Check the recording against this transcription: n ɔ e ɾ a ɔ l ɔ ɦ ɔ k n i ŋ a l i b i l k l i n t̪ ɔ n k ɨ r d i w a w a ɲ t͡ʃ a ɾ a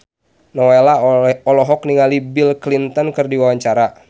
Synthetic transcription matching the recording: n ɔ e l a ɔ l ɔ ɦ ɔ k n i ŋ a l i b i l k l i n t̪ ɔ n k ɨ r d i w a w a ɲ t͡ʃ a ɾ a

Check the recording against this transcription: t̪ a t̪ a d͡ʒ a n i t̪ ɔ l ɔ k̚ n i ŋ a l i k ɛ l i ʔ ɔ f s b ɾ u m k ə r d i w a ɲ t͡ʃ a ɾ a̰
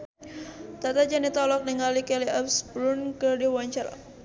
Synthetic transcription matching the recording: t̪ a t̪ a d͡ʒ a n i t̪ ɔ l ɔ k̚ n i ŋ a l i k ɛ l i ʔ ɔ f s b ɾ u n k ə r d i w a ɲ t͡ʃ a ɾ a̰

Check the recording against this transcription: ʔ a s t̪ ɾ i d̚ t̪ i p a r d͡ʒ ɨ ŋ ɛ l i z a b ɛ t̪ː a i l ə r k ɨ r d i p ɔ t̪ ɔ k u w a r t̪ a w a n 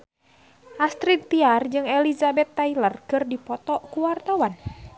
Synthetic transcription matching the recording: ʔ a s t̪ ɾ i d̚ t̪ i a r d͡ʒ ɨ ŋ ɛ l i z a b ɛ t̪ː a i l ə r k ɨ r d i p ɔ t̪ ɔ k u w a r t̪ a w a n

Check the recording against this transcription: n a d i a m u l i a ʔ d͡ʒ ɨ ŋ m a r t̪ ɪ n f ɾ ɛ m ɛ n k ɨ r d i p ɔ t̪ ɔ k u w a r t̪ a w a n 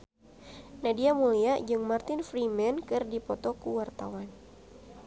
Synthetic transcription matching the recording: n a d i a m u l i a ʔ d͡ʒ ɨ ŋ m a r t̪ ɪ n f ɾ i m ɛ n k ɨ r d i p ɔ t̪ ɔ k u w a r t̪ a w a n

